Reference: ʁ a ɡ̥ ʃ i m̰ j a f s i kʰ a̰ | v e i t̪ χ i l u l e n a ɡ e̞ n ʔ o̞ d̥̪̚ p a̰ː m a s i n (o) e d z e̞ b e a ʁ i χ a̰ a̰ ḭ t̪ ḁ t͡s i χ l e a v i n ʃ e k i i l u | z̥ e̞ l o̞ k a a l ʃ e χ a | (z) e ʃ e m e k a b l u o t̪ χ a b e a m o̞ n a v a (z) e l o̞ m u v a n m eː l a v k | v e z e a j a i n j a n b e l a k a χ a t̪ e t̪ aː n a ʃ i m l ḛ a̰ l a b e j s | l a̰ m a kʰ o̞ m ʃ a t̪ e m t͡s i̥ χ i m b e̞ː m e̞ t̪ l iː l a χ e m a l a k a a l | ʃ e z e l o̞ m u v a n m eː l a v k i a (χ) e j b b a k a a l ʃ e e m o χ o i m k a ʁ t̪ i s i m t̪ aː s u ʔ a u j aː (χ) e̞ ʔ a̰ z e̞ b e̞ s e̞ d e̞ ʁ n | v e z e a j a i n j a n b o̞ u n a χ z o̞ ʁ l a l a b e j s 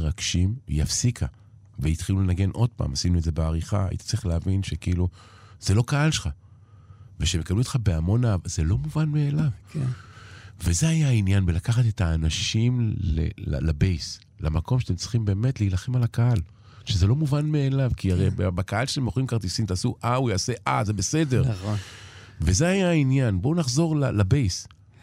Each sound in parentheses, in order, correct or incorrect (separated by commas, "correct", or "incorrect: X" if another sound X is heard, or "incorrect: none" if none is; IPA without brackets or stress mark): incorrect: u, incorrect: v, correct, incorrect: ʁ, incorrect: s